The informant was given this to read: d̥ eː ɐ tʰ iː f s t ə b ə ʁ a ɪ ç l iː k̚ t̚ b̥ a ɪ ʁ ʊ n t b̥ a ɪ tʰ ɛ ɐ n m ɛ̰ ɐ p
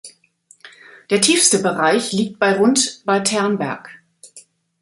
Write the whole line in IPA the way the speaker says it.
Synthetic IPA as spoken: d̥ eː ɐ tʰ iː f s t ə b ə ʁ a ɪ ç l iː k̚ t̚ b̥ a ɪ ʁ ʊ n t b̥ a ɪ tʰ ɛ ɐ n b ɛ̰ ɐ k